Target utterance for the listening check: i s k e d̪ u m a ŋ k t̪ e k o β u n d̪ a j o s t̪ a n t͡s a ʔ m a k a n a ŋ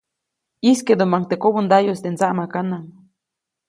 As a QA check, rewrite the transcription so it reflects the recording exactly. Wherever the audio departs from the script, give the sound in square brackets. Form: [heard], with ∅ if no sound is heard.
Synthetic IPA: i s k e d̪ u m a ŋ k t̪ e k o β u n d̪ a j o s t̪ [e] n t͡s a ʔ m a k a n a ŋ